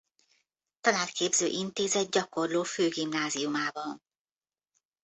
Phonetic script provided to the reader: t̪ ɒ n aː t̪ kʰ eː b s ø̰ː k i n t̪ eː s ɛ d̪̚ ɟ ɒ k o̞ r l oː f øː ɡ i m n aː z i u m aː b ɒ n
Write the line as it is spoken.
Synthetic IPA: t̪ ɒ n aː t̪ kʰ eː b z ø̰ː ʔ i n t̪ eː z ɛ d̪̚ ɟ ɒ k o̞ r l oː f øː ɡ i m n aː z i u m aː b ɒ n